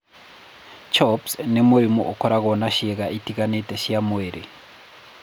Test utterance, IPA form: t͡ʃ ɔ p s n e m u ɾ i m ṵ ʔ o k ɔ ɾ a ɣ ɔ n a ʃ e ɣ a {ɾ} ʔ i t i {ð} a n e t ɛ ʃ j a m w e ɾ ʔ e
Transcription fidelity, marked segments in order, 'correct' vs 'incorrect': incorrect, incorrect

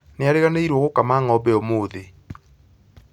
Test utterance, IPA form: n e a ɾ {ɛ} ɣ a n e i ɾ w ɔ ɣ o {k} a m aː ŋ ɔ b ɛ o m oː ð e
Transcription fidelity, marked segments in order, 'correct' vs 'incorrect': incorrect, correct

